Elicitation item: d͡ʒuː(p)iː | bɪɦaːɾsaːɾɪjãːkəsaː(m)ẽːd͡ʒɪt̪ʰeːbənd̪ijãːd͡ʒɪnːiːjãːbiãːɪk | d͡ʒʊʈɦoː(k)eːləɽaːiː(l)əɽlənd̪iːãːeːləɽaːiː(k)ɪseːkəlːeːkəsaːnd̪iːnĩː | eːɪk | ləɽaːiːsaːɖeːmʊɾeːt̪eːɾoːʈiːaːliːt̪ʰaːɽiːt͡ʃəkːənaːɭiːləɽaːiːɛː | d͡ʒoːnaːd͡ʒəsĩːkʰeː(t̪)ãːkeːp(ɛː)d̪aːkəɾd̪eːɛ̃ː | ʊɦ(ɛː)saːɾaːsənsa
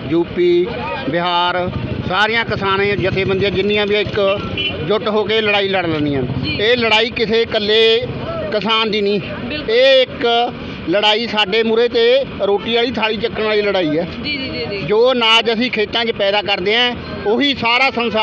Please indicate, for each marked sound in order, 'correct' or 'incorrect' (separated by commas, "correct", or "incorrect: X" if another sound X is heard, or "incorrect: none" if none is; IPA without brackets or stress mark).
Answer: correct, incorrect: n, correct, correct, correct, correct, correct, incorrect: iː